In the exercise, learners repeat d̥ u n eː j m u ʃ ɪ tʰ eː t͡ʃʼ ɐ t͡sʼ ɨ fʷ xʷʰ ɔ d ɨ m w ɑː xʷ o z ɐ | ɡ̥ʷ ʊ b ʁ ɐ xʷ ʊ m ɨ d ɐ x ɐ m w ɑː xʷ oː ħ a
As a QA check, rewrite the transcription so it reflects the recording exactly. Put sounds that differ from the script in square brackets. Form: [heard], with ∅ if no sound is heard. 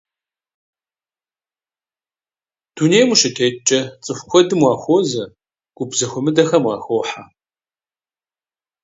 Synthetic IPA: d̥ u n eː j m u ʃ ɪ tʰ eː t͡ʃʼ ɐ t͡sʼ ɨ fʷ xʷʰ ɔ d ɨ m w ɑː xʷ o z ɐ | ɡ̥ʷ ʊ b [z] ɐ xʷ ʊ m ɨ d ɐ x ɐ m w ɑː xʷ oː ħ a

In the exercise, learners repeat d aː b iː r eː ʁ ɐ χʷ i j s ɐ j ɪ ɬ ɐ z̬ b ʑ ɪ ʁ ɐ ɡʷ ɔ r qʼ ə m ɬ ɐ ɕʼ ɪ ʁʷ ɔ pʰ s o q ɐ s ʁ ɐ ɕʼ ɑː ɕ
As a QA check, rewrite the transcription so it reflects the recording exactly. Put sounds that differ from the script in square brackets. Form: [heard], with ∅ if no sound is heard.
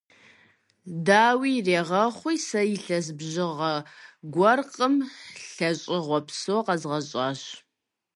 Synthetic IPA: d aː [w] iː r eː ʁ ɐ χʷ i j s ɐ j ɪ ɬ ɐ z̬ b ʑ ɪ ʁ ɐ ɡʷ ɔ r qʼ ə m ɬ ɐ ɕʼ ɪ ʁʷ ɔ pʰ s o q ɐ [z] ʁ ɐ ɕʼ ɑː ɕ

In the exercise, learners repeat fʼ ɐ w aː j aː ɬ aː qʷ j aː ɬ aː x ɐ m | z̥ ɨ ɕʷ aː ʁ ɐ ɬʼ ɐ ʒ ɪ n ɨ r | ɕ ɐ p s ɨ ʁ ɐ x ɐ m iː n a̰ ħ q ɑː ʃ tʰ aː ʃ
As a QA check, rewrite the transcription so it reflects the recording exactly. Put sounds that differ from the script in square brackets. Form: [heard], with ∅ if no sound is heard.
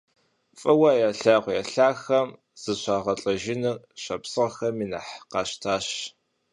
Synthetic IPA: fʼ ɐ w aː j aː ɬ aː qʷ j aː ɬ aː x ɐ m | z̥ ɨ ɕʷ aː ʁ ɐ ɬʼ ɐ ʒ ɪ n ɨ r | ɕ ɐ p s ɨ ʁ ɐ x ɐ m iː n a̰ ħ q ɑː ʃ tʰ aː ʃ

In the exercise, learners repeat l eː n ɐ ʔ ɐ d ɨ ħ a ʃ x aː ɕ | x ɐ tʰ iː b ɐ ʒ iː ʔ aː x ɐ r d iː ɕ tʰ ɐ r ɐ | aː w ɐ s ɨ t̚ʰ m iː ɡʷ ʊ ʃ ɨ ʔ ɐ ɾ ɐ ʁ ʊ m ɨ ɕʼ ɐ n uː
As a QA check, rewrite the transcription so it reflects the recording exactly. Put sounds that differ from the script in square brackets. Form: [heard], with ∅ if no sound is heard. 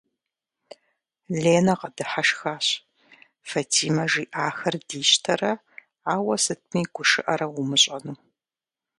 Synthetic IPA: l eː n ɐ [q] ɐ d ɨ ħ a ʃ x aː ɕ | [f] ɐ tʰ iː [m] ɐ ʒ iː ʔ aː x ɐ r d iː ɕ tʰ ɐ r ɐ | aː w ɐ s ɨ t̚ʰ m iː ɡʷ ʊ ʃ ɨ ʔ ɐ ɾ ɐ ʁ ʊ m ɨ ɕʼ ɐ n uː

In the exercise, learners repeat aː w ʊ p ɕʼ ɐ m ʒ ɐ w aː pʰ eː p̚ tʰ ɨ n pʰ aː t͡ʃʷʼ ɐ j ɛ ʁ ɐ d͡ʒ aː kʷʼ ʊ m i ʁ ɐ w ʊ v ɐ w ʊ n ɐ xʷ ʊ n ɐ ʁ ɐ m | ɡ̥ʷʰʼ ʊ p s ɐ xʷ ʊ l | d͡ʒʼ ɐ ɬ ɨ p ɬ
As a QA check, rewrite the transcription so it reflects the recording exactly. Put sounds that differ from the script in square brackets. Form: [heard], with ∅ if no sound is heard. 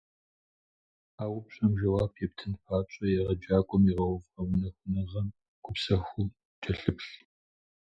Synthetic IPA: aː w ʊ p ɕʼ ɐ m ʒ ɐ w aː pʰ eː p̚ tʰ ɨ n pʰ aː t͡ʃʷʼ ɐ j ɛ ʁ ɐ d͡ʒ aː kʷʼ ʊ m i ʁ ɐ w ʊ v ɐ w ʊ n ɐ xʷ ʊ n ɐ ʁ ɐ m | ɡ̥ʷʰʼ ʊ p s ɐ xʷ ʊ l | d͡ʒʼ ɐ ɬ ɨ p ɬ

